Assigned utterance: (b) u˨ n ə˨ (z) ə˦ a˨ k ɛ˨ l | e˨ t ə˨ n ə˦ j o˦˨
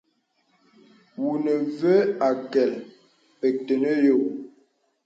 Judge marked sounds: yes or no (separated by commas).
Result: no, no